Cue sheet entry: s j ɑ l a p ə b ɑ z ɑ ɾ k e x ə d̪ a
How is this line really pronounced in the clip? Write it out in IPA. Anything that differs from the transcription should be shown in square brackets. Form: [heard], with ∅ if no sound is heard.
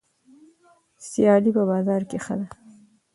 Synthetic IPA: s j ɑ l [i] p ə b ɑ z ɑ ɾ k e x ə d̪ a